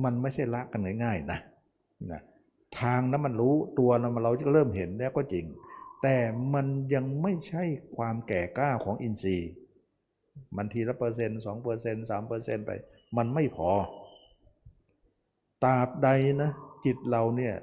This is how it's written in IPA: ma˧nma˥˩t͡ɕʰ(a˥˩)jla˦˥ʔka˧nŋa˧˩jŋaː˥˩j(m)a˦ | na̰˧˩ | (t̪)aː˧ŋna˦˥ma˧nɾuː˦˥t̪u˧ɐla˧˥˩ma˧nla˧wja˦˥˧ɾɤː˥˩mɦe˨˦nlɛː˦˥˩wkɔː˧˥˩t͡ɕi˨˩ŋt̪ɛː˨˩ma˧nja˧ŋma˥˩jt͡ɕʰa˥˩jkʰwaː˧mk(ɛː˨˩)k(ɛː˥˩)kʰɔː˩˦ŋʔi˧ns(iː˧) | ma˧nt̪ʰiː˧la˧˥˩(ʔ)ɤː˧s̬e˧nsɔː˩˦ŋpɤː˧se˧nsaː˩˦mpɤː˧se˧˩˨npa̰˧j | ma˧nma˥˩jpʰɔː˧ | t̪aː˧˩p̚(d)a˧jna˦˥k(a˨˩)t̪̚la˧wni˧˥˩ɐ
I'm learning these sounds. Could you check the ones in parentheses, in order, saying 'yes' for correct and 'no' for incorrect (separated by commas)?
yes, no, no, yes, no, yes, no, yes, no